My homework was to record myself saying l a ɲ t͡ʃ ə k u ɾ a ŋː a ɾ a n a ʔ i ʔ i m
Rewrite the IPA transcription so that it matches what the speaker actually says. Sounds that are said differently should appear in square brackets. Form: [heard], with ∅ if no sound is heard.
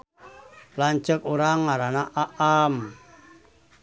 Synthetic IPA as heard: l a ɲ t͡ʃ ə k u ɾ a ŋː a ɾ a n a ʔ [a] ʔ [a] m